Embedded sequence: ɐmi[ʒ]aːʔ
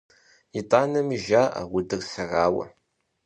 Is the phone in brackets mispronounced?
no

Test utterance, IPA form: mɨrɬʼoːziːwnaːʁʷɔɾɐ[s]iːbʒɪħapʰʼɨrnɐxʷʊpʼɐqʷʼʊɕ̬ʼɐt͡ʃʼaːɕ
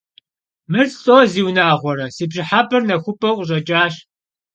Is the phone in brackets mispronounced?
no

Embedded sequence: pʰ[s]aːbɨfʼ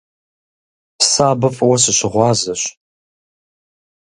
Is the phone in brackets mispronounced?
no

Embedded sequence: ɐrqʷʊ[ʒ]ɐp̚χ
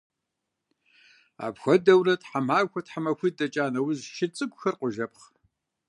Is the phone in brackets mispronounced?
no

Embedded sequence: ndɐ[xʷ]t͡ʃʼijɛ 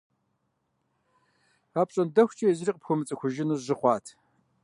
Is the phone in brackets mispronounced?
no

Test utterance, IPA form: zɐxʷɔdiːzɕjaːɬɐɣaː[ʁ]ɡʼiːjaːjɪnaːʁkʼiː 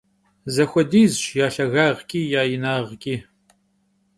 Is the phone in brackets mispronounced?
no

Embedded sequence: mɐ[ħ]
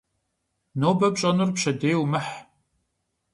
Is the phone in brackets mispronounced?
no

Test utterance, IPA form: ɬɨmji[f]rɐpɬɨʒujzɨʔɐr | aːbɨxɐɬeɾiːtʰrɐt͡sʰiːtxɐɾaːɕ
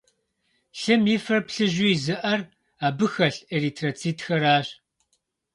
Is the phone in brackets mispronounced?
no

